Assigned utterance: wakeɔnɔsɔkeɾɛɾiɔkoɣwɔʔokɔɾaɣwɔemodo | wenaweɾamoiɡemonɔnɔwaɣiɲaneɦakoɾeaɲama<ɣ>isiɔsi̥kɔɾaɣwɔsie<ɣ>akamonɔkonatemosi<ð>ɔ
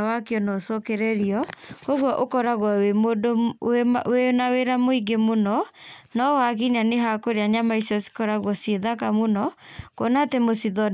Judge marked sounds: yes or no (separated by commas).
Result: no, no, yes